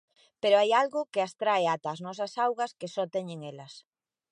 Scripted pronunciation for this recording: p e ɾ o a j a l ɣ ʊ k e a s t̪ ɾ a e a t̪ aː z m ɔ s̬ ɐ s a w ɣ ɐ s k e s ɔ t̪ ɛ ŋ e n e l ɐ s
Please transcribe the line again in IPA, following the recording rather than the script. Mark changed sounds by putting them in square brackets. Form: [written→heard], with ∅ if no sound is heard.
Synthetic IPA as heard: p e ɾ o a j a l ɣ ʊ k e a s t̪ ɾ a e a t̪ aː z [m→n] ɔ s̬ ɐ s a w ɣ ɐ s k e s ɔ t̪ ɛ [ŋ→ɲ] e [n→ŋ] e l ɐ s